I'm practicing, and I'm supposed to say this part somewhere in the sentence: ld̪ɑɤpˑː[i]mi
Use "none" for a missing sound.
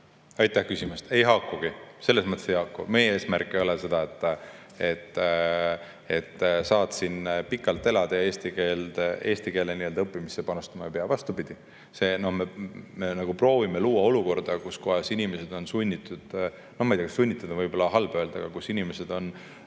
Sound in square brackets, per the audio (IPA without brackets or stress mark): i